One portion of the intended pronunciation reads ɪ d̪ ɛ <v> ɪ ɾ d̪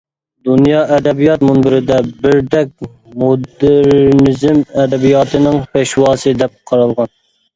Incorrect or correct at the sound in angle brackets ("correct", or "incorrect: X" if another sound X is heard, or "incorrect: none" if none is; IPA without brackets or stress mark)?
incorrect: b